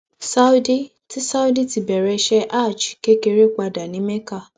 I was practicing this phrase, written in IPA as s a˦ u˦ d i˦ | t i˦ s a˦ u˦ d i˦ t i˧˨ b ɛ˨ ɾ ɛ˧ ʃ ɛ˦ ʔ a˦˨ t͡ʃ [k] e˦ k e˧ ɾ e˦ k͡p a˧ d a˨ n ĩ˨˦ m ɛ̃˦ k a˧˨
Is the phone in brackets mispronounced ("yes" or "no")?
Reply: no